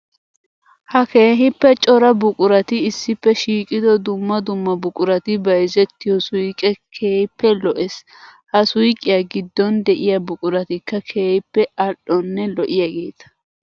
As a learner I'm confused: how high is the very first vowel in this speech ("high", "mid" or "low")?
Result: low